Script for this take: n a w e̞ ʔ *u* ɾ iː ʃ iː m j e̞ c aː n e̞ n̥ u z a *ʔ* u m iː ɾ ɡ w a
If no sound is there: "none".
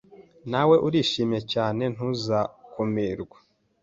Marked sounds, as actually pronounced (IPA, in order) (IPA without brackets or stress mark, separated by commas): u, k